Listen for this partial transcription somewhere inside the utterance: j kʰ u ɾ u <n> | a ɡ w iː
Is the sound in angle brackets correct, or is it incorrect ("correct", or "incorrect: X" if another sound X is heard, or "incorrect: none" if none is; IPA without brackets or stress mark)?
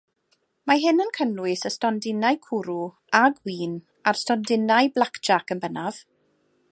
incorrect: none